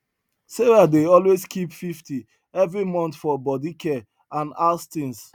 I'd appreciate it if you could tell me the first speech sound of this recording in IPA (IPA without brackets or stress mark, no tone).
s